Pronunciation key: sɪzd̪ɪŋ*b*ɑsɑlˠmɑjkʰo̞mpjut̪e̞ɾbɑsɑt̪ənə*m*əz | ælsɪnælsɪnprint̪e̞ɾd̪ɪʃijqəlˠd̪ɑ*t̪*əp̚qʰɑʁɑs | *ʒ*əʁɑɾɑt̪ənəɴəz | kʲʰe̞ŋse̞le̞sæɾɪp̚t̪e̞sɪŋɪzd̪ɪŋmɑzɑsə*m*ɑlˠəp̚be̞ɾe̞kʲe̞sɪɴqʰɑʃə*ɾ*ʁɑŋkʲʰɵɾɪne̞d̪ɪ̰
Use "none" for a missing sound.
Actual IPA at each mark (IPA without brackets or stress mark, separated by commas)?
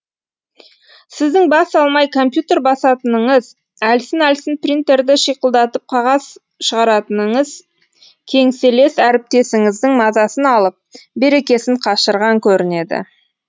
b, ɴ, t̪, ʃ, n, ɾ